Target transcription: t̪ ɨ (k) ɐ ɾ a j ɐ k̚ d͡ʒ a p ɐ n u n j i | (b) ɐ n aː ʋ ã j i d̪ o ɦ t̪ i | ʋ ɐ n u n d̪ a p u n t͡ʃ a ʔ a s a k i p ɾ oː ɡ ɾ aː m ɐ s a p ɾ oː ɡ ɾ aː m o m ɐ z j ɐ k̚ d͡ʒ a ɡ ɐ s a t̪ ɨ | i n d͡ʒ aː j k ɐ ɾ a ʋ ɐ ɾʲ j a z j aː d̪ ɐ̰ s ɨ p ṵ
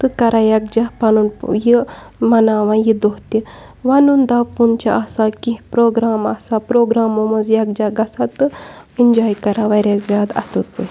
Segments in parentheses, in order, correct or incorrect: correct, incorrect

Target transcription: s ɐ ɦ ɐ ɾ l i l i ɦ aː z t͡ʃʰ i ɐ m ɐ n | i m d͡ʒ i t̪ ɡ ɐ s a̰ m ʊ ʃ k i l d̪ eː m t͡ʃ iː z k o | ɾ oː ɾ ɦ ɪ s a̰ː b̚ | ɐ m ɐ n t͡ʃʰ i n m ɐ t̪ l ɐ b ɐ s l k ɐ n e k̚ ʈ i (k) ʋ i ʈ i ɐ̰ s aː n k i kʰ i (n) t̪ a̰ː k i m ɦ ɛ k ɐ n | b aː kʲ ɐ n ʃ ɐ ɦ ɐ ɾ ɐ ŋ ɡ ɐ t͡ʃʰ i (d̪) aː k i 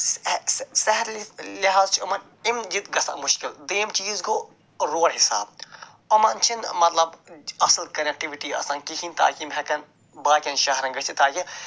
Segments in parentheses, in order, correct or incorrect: incorrect, correct, incorrect

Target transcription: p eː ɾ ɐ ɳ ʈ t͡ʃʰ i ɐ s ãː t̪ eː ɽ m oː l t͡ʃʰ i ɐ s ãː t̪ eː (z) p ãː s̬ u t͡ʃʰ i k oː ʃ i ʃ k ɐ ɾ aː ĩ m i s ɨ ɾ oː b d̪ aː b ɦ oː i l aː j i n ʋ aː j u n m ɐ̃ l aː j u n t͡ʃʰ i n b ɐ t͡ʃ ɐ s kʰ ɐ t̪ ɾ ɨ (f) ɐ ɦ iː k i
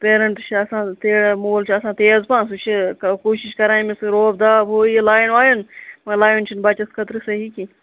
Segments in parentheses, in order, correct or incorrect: correct, incorrect

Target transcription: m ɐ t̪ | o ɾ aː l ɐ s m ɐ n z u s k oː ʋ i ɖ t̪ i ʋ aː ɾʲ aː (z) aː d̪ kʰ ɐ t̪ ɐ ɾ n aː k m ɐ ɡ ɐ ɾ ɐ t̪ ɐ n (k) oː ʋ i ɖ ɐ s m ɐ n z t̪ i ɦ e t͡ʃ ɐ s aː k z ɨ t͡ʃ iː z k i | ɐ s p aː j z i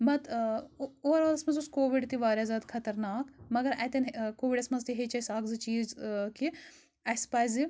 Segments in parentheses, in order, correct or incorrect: correct, correct

